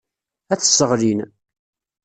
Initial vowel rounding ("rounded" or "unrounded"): unrounded